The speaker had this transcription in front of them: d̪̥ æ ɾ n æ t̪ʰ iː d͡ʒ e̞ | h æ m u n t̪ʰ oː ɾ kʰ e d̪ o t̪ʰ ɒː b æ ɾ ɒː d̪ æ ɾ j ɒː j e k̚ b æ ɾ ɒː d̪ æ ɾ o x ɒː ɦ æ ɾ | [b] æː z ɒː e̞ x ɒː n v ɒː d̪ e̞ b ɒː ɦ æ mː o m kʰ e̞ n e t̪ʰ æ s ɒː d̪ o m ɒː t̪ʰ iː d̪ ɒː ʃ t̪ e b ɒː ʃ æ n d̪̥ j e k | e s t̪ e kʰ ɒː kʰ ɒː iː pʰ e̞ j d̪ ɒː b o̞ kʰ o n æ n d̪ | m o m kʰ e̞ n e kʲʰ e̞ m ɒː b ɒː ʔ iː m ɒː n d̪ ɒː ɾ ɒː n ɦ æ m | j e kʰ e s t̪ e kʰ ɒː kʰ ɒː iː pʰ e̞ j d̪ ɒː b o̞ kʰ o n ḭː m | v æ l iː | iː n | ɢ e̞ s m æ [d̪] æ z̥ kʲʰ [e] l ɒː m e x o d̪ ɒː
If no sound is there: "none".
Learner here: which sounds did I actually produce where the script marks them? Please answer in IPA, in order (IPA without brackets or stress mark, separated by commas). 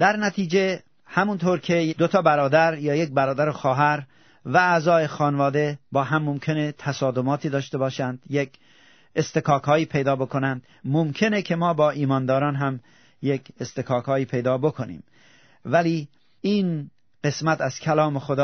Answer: v, t̪, æ